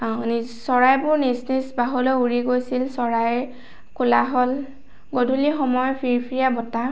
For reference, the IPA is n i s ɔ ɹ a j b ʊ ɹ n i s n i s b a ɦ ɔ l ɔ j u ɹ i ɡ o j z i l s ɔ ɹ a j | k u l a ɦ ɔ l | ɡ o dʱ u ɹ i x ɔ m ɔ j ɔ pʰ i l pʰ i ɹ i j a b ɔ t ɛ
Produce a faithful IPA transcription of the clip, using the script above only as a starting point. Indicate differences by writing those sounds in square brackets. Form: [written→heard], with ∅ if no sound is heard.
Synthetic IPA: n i s ɔ ɹ a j b ʊ ɹ n i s n i s b a ɦ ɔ l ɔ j u ɹ i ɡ o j [z→s] i l s ɔ ɹ a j | k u l a ɦ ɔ l | ɡ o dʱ u [ɹ→l] i x ɔ m ɔ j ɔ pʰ i [l→ɹ] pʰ i ɹ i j a b ɔ t [ɛ→a]

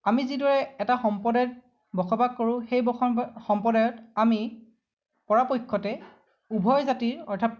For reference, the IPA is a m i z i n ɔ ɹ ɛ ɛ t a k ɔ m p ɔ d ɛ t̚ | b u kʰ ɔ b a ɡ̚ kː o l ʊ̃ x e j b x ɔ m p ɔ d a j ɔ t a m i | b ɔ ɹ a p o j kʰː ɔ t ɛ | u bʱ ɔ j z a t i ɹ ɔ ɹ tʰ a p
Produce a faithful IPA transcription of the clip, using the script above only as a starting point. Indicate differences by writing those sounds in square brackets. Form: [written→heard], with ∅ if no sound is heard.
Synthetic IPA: a m i z i [n→d] ɔ ɹ ɛ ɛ t a [k→x] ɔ m p ɔ d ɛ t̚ | b [u→ɔ] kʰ ɔ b a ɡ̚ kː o [l→ɹ] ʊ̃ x e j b x ɔ m p ɔ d a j ɔ t a m i | [b→p] ɔ ɹ a p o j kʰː ɔ t ɛ | u bʱ ɔ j z a t i ɹ ɔ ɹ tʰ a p

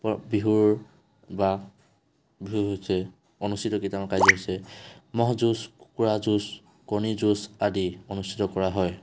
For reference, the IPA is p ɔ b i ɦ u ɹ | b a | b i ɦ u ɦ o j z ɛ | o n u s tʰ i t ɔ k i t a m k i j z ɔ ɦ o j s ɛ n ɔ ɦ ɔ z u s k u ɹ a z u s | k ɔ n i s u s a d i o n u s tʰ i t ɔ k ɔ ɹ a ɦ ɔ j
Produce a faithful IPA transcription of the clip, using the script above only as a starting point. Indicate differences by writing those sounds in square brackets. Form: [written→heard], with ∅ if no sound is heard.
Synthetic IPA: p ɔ b i ɦ u ɹ | b a | b i ɦ u ɦ o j [z→s] ɛ | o n u s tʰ i t ɔ k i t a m k [i→a] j z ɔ ɦ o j s ɛ [n→m] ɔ ɦ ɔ z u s k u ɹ a z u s | k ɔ n i [s→z] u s a d i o n u s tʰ i t ɔ k ɔ ɹ a ɦ ɔ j

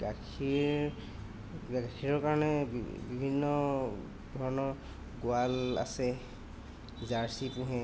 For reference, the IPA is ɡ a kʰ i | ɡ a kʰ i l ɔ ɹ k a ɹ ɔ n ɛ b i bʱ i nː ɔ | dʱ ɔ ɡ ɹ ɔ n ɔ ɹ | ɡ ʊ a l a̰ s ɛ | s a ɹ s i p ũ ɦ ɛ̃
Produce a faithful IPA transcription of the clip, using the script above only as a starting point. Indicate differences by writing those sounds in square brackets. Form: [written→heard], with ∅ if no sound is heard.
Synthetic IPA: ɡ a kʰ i | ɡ a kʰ i [l→ɹ] ɔ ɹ k a ɹ ɔ n ɛ b i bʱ i nː ɔ | dʱ ɔ [ɡ→∅] ɹ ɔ n ɔ ɹ | ɡ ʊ a l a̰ s ɛ | [s→z] a ɹ s i p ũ ɦ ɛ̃

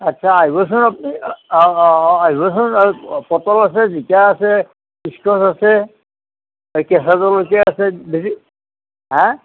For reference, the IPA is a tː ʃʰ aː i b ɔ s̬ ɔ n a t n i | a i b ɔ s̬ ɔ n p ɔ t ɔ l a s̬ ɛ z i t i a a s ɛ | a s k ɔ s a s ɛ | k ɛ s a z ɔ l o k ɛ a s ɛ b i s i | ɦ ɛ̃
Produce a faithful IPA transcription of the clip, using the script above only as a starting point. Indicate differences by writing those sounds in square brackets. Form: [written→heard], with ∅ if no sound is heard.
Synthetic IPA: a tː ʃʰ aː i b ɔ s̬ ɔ n a [t→p] n i | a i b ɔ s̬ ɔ n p ɔ t ɔ l a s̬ ɛ z i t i a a s ɛ | [a→i] s k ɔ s a s ɛ | k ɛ s a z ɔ l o k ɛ a s ɛ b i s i | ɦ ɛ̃

